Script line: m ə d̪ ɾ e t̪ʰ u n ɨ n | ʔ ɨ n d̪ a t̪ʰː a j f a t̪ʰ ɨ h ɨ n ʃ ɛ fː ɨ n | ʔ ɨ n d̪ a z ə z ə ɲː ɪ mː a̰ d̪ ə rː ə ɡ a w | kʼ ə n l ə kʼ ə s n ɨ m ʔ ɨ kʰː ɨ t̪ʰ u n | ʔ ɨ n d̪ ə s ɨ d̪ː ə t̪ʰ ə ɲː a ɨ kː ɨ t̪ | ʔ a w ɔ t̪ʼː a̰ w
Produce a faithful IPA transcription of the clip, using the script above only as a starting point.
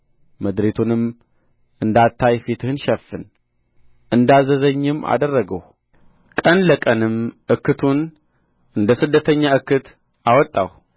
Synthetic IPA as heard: m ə d̪ ɾ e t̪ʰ u n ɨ m | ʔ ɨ n d̪ a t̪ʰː a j f i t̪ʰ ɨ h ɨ n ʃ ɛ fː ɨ n | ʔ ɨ n d̪ a z ə z ə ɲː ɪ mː a̰ d̪ ə rː ə ɡ ə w | kʼ ə n l ə kʼ ə n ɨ m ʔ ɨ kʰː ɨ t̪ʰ u n | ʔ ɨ n d̪ ə s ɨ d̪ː ə t̪ʰ ə ɲː a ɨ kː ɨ t̪ | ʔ a w ɔ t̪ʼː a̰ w